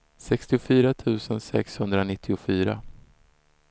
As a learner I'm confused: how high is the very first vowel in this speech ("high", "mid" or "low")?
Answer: mid